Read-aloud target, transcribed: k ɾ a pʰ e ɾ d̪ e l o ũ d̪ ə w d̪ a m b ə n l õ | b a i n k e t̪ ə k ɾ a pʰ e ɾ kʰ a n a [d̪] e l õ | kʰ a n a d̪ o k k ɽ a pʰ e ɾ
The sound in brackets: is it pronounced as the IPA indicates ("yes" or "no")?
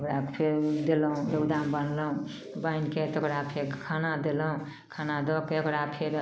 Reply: yes